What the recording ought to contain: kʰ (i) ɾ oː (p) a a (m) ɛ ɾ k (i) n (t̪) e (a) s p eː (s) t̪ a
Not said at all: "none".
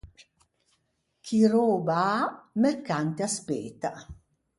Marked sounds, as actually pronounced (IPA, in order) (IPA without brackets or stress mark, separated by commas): i, b, m, a, t̪, a, none